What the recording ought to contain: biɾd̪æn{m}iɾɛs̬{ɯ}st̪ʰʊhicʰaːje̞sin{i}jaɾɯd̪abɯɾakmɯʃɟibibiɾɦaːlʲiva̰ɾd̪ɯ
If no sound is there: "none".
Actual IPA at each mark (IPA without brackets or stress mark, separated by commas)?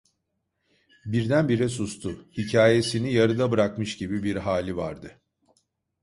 b, u, i